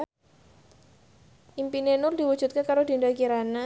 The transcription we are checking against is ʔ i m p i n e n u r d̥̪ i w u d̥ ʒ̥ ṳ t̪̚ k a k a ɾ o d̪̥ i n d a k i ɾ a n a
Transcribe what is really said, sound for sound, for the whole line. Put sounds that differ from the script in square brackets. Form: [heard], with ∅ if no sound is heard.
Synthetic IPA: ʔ i m p i n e n [ʊ] r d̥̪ i w u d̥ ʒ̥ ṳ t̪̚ k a k a ɾ o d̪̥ i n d a k i ɾ a n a